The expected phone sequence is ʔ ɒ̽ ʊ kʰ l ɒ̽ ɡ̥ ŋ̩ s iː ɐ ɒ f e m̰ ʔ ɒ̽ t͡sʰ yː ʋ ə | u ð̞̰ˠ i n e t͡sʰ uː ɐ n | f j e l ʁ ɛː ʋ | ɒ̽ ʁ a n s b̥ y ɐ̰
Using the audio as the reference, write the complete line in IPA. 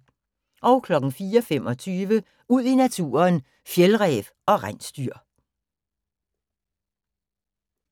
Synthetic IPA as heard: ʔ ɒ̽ ʊ kʰ l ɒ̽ ɡ̥ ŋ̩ f iː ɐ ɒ f e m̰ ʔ ɒ̽ t͡sʰ yː ʋ ə | u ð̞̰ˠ i n æ t͡sʰ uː ɐ n | f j e l ʁ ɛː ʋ | ɒ̽ ʁ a n s d̥ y ɐ̰